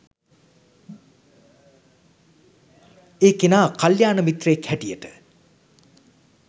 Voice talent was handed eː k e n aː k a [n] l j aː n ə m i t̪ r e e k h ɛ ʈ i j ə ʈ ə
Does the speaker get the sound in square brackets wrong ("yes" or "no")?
yes